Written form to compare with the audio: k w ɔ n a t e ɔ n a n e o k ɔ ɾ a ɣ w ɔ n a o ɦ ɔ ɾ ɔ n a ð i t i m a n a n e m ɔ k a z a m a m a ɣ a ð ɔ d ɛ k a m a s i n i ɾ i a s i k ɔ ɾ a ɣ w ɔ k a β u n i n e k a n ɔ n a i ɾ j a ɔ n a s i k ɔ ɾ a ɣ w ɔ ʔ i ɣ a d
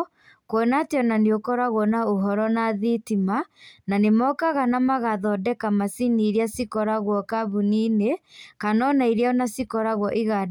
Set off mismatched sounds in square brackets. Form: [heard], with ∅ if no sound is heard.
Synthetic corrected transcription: k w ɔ n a t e ɔ n a n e o k ɔ ɾ a ɣ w ɔ n a o ɦ ɔ ɾ ɔ n a ð i t i m a n a n e m ɔ k a [ɣ] a [n] a m a ɣ a ð ɔ d ɛ k a m a s i n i ɾ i a s i k ɔ ɾ a ɣ w ɔ k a β u n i n e k a n ɔ n a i ɾ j a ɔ n a s i k ɔ ɾ a ɣ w ɔ ʔ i ɣ a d